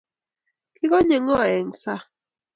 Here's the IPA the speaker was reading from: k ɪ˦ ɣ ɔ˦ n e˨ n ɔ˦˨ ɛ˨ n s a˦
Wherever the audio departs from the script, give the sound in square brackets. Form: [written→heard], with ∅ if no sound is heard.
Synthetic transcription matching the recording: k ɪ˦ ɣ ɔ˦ [n→ɲ] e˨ [n→ŋ] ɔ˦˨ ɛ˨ [n→ŋ] s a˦